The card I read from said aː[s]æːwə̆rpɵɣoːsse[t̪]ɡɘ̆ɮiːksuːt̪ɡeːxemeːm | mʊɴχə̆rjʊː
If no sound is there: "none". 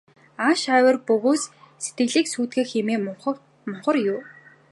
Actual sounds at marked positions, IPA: ʃ, t̪

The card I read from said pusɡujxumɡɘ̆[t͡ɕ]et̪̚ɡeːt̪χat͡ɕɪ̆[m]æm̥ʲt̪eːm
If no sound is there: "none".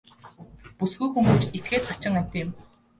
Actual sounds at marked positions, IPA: t͡ɕ, ŋ

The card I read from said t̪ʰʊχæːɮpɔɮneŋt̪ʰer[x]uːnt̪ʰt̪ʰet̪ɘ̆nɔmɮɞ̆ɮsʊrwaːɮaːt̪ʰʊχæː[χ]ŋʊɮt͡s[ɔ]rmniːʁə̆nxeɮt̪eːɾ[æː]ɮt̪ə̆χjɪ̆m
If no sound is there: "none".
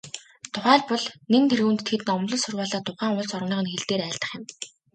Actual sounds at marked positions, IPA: ɣ, none, ɔ, æː

